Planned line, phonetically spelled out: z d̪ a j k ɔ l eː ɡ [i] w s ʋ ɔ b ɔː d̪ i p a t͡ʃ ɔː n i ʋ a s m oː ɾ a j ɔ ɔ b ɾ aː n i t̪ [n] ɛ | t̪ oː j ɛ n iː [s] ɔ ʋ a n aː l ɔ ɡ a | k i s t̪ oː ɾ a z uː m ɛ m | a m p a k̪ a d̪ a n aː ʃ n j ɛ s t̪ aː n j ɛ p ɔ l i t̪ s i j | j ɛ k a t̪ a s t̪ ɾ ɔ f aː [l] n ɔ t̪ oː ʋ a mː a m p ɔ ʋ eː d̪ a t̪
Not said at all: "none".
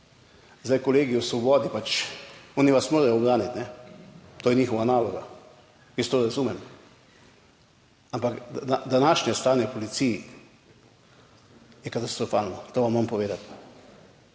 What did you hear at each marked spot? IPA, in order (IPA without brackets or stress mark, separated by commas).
i, n, x, l